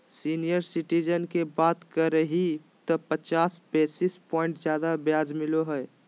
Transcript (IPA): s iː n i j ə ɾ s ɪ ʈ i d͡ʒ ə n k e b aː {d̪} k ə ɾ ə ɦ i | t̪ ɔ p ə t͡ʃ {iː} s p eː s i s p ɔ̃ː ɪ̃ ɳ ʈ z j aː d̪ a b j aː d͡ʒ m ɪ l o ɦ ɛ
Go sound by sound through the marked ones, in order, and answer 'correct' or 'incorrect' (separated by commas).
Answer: incorrect, incorrect